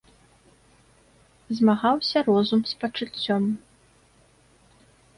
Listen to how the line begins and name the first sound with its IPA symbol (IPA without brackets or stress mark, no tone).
z